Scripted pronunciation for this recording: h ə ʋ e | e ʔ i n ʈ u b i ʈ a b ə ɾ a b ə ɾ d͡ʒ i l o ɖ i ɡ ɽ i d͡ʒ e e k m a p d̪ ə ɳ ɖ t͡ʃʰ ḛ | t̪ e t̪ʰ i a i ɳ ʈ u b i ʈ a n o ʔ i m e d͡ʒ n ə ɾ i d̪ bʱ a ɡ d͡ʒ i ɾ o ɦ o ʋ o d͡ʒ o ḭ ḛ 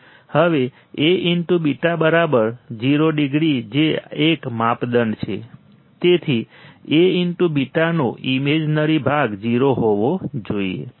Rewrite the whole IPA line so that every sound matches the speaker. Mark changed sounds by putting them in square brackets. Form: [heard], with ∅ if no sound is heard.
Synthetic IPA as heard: h ə ʋ e | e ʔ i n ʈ u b i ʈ a b ə ɾ a b ə ɾ d͡ʒ i [ɾ] o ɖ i ɡ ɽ i d͡ʒ e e k m a p d̪ ə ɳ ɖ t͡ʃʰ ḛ | t̪ e t̪ʰ i [e] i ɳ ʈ u b i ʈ a n o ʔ i m e d͡ʒ n ə ɾ i [∅] bʱ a ɡ d͡ʒ i ɾ o ɦ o ʋ o d͡ʒ o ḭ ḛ

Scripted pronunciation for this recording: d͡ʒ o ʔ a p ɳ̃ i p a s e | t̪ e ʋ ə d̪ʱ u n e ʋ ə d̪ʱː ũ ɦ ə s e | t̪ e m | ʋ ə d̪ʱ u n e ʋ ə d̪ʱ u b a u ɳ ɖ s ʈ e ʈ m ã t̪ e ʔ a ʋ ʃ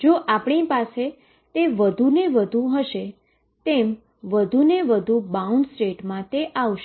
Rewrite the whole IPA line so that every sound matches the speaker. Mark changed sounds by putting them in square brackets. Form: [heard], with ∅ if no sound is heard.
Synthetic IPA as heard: d͡ʒ o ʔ a p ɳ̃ i p a s e | t̪ e ʋ ə d̪ʱ u n e ʋ ə [d̪ʱ] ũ ɦ ə [ʃ] e | t̪ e m | ʋ ə d̪ʱ u n e ʋ ə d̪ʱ u b a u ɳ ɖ s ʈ e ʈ m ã t̪ e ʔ a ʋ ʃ

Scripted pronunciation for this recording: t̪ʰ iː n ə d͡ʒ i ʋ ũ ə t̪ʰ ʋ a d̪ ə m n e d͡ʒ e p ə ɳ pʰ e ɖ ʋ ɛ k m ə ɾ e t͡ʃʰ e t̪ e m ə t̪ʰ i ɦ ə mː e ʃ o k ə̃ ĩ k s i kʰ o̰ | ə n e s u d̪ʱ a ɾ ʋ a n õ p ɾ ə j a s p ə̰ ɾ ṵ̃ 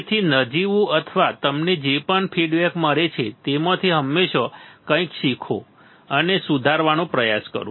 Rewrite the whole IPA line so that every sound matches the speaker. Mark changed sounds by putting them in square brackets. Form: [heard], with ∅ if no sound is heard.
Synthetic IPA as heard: t̪ʰ [i] n ə d͡ʒ i ʋ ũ ə t̪ʰ ʋ a [t̪] ə m n e d͡ʒ e p ə ɳ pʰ [i] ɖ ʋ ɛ k m ə ɾ e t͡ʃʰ e t̪ e m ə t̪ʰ i ɦ ə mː e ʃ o k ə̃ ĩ k [ʃ] i kʰ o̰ | ə n e s u d̪ʱ a ɾ ʋ a n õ p ɾ ə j a s [k] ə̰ ɾ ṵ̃

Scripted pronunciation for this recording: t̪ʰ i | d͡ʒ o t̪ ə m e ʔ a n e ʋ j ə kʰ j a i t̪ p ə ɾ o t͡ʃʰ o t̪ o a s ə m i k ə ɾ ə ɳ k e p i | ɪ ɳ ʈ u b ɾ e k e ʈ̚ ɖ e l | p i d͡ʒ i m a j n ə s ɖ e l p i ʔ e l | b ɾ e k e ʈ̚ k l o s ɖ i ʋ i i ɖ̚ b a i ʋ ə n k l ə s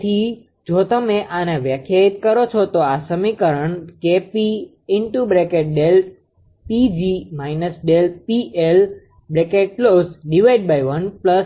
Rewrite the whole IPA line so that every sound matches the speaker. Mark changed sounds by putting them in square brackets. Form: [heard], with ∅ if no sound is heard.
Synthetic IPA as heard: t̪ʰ i | d͡ʒ o t̪ ə m e ʔ a n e ʋ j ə kʰ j a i t̪ [k] ə ɾ o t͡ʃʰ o t̪ o a s ə m i k ə ɾ ə ɳ k e p i | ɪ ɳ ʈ u b ɾ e k e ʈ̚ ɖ e l | p i d͡ʒ i m a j n ə s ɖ e l p i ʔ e l | b ɾ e k e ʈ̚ k l o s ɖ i ʋ [a] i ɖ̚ b a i ʋ ə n [p] l ə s

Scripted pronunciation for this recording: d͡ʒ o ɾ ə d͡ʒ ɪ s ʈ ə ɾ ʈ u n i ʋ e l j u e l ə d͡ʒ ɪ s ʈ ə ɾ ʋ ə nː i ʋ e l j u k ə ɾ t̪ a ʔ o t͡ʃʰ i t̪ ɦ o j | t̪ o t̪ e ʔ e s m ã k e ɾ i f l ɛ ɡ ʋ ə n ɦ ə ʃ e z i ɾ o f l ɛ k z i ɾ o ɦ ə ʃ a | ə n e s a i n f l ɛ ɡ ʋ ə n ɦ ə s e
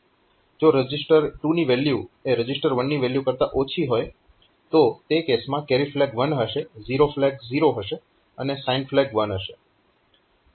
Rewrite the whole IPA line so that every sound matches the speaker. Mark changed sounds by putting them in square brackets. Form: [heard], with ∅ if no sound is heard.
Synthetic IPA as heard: d͡ʒ o ɾ ə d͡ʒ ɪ s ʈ ə ɾ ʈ u n i ʋ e l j u e [ɾ] ə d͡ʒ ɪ s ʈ ə ɾ ʋ ə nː i ʋ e l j u k ə ɾ t̪ a ʔ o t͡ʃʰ i [∅] ɦ o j | t̪ o t̪ e [k] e s m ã k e ɾ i f l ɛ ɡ ʋ ə n ɦ ə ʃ e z i ɾ o f l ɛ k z i ɾ o ɦ ə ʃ [e] | ə n e s a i n f l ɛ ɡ ʋ ə n ɦ ə [ʃ] e

